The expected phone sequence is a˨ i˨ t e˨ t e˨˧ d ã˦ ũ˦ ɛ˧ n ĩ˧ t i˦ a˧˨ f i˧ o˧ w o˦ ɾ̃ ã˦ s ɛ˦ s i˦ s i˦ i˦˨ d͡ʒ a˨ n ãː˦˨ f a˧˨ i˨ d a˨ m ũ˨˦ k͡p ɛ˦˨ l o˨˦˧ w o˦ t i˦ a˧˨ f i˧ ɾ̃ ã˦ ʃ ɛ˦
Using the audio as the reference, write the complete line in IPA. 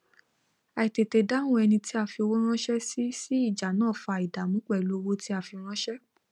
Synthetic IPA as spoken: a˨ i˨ t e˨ t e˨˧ d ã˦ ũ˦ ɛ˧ n ĩ˧ t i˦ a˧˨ f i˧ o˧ w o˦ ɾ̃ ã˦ ʃ ɛ˦ s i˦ s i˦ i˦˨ d͡ʒ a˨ n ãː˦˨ f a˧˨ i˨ d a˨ m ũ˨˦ k͡p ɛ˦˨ l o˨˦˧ w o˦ t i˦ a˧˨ f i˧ ɾ̃ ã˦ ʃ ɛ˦